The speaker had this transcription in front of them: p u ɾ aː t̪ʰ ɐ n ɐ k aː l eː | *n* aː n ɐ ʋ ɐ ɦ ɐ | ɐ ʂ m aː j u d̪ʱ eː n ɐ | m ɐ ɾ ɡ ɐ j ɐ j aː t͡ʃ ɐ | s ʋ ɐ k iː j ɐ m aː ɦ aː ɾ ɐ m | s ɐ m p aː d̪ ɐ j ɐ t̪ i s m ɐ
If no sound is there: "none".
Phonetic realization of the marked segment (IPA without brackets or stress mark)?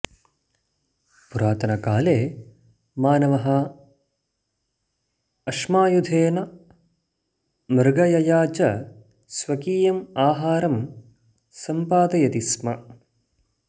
m